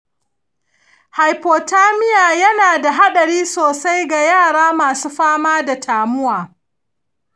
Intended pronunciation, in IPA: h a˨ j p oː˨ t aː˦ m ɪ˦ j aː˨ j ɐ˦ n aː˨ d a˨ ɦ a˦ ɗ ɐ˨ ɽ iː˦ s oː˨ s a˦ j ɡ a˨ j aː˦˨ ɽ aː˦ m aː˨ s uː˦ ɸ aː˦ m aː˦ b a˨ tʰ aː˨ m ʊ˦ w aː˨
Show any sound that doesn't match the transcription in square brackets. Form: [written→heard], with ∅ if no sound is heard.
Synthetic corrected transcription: h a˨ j p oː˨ t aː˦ m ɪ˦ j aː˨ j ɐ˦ n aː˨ d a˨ ɦ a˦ ɗ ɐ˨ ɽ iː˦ s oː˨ s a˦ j ɡ a˨ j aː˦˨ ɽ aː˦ m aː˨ s uː˦ ɸ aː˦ m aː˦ [b→d] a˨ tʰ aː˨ m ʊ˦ w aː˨